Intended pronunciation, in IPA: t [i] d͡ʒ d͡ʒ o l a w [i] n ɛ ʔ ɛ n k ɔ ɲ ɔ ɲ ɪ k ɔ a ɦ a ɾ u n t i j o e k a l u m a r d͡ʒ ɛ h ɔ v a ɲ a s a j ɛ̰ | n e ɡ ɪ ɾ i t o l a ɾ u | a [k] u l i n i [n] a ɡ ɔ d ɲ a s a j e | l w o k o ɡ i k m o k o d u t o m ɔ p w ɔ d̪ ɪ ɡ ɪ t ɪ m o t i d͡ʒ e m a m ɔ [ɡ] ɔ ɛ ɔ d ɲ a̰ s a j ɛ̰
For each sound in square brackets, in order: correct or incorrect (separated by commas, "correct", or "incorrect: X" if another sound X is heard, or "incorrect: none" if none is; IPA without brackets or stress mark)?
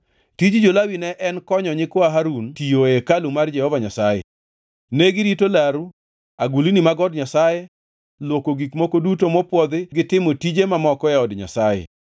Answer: correct, correct, incorrect: ɡ, incorrect: m, incorrect: k